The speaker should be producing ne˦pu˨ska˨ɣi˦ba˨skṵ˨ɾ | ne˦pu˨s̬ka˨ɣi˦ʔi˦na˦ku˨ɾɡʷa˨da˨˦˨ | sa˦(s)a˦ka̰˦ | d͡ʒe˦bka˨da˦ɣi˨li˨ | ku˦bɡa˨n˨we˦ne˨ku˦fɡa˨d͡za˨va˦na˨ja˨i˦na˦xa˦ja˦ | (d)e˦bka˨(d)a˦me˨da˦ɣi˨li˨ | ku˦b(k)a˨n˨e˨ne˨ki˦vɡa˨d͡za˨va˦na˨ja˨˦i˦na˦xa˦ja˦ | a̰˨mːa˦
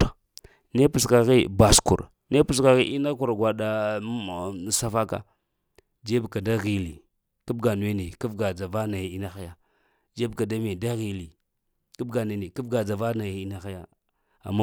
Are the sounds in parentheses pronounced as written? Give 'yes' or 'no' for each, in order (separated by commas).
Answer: no, no, yes, no